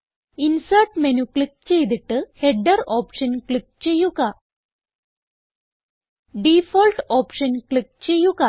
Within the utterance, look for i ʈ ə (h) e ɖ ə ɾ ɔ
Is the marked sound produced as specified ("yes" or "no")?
yes